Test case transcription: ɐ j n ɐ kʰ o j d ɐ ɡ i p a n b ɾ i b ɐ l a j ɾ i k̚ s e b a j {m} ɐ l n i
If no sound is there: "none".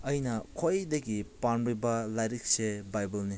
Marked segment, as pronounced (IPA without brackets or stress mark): b